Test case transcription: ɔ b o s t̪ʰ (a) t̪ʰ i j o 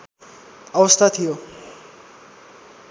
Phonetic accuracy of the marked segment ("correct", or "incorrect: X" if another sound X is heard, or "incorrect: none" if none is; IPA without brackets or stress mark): correct